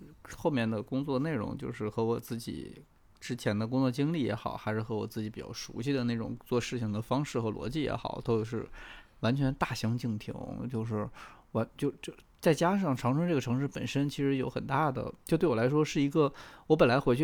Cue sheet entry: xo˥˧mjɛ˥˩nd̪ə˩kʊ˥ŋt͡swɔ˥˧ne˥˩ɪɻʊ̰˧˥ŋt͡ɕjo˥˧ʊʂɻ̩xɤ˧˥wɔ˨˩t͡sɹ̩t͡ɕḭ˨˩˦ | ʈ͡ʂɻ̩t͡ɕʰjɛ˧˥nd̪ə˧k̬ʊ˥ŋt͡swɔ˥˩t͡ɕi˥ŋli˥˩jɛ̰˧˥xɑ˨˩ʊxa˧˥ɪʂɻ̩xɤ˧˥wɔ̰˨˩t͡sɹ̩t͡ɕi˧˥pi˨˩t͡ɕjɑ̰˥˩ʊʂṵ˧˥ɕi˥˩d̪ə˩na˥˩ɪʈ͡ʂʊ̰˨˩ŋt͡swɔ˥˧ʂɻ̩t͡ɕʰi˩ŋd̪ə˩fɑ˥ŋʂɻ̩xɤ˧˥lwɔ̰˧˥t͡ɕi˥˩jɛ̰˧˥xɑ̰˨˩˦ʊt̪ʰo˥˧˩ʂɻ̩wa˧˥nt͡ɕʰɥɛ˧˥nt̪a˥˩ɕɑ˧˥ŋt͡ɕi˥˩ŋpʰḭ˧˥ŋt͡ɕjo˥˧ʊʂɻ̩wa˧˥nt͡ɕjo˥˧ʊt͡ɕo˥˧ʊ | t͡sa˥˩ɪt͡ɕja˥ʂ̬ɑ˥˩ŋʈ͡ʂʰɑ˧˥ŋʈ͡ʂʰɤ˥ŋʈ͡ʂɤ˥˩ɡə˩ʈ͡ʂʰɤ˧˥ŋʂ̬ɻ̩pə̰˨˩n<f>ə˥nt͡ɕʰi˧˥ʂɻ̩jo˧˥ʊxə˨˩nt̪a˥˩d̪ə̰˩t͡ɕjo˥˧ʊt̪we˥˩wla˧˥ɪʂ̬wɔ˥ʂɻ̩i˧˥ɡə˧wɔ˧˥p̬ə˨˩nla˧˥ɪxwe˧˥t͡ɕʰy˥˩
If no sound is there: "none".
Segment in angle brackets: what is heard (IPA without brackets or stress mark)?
ʂ